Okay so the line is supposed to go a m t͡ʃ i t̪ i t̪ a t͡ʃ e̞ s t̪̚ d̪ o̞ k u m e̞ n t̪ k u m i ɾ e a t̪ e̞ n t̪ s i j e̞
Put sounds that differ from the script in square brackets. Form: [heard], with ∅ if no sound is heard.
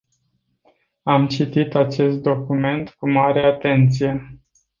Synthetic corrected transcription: a m t͡ʃ i t̪ i t̪ a t͡ʃ e̞ s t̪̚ d̪ o̞ k u m e̞ n t̪ k u m [a] ɾ e a t̪ e̞ n t̪ s i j e̞